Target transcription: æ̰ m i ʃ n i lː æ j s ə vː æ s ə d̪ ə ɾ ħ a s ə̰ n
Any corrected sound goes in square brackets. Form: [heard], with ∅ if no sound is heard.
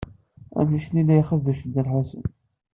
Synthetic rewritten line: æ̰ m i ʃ n i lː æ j [χ] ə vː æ [ʃ] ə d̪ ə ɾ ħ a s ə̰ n